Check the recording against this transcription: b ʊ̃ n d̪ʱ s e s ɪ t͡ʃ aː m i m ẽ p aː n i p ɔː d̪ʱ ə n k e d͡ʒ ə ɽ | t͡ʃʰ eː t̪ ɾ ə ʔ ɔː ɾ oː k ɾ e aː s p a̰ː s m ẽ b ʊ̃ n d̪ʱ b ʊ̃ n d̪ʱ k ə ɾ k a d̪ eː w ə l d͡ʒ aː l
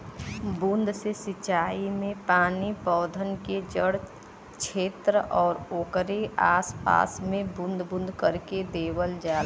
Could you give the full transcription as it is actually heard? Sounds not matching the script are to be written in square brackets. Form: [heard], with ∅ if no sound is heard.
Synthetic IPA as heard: b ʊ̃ n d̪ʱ s e s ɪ t͡ʃ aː [∅] i m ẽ p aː n i p ɔː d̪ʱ ə n k e d͡ʒ ə ɽ | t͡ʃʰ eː t̪ ɾ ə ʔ ɔː ɾ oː k ɾ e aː s p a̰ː s m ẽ b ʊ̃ n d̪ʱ b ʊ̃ n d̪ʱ k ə ɾ k [e] d̪ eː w ə l d͡ʒ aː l